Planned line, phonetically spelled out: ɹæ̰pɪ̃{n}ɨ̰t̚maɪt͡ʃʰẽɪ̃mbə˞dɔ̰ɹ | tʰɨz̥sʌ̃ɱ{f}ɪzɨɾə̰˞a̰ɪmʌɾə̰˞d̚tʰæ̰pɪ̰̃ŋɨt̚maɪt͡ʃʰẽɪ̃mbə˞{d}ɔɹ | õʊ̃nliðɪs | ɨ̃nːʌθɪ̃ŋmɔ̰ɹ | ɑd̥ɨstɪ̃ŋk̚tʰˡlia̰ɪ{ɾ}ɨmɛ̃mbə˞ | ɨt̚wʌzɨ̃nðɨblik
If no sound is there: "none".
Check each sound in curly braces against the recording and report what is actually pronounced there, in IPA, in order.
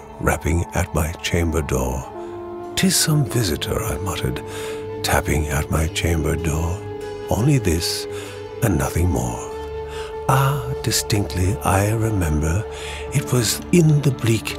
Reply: ŋ, v, d, ɹ

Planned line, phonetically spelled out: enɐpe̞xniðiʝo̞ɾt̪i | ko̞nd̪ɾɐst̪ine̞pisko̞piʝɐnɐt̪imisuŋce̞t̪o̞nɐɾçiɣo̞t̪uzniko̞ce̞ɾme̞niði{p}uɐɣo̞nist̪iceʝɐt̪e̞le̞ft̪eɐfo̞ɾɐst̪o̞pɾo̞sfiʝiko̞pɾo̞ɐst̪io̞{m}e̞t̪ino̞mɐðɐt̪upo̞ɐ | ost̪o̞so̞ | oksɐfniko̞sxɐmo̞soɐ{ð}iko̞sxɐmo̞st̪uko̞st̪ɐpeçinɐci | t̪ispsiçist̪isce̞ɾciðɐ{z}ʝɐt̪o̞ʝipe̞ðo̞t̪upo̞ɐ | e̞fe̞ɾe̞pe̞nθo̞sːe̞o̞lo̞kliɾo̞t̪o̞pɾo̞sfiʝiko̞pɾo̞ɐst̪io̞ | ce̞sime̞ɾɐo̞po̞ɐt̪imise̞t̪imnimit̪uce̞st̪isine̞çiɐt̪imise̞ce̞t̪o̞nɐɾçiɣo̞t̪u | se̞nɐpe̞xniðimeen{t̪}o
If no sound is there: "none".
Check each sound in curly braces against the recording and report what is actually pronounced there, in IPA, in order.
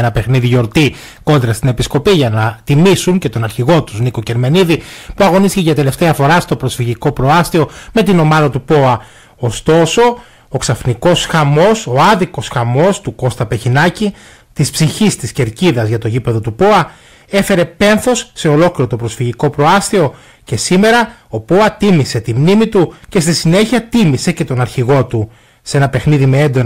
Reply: p, m, ð, z, d̪

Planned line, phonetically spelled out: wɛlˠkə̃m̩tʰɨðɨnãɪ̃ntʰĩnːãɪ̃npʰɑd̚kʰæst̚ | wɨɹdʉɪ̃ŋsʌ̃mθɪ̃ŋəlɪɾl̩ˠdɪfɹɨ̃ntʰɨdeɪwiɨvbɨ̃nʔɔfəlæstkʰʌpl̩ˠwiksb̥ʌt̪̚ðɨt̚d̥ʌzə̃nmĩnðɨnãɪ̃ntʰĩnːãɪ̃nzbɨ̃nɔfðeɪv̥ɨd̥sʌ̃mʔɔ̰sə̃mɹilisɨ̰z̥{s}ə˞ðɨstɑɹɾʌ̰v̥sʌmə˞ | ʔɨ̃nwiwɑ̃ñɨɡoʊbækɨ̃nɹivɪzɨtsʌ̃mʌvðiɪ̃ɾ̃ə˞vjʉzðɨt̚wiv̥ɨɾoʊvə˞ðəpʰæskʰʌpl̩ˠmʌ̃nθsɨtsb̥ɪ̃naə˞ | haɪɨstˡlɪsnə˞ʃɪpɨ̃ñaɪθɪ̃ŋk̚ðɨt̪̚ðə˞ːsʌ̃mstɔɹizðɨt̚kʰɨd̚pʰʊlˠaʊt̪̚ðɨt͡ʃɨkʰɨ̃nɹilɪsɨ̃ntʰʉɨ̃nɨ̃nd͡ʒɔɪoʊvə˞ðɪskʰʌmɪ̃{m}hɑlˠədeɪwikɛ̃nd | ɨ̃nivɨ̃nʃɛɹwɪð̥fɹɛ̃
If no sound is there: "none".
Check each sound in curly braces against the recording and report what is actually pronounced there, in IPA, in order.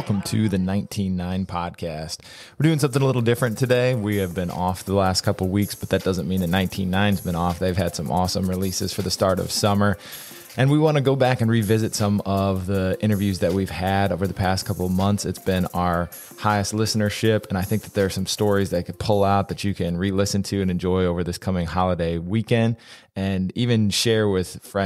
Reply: f, ŋ

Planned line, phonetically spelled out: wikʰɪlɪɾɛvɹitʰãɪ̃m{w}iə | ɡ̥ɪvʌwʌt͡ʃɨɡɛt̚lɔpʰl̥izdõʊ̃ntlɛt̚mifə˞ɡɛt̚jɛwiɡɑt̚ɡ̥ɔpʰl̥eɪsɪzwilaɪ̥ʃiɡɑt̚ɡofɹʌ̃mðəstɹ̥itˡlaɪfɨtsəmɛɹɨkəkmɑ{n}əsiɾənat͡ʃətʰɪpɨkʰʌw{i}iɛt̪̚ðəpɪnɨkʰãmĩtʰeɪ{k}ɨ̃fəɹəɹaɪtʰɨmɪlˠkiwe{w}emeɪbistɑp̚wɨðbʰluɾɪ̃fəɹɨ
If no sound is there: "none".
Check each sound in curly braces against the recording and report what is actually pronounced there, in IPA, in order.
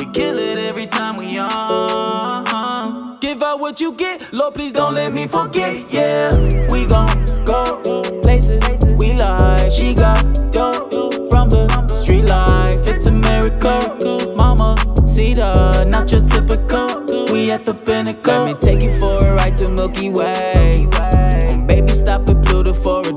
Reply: w, m, i, k, w

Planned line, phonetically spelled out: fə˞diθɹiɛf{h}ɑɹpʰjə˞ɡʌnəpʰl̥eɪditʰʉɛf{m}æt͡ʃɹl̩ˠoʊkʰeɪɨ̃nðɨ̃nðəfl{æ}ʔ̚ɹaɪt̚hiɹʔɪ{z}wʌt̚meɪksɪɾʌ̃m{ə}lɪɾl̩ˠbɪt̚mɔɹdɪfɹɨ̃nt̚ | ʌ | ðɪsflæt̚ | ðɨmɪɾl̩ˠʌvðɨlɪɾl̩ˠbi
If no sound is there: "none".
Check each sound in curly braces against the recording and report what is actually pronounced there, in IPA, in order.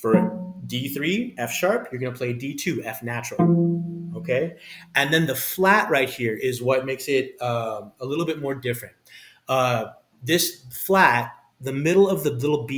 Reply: ʃ, n, æ, z, ə

